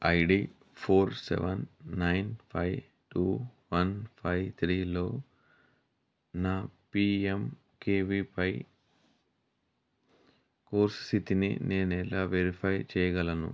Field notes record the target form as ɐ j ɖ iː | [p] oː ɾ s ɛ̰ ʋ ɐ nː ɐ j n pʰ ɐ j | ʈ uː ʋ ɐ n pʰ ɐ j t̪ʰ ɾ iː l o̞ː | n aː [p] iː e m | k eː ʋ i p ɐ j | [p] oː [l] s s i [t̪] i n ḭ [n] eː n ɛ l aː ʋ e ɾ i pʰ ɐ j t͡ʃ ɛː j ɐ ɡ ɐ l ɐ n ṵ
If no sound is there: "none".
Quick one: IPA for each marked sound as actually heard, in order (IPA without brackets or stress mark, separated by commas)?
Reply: pʰ, p, k, ɾ, t̪, n